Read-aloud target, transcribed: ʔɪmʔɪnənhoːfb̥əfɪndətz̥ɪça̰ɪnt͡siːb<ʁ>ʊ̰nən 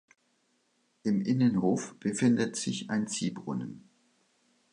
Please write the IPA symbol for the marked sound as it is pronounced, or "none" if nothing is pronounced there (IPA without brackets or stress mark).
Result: ʁ